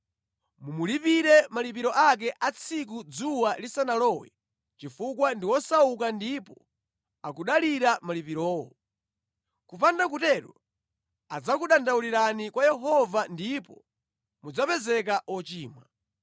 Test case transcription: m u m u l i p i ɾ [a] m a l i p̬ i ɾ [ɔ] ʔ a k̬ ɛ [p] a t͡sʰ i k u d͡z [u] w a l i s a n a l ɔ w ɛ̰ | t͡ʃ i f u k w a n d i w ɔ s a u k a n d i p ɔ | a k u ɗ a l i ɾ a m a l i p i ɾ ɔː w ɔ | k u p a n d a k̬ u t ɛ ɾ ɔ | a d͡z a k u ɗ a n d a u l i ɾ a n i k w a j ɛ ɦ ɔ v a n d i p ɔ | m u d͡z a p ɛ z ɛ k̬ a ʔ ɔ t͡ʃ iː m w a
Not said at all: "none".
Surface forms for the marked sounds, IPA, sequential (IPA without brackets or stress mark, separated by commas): ɛ, ɔ, ʔ, u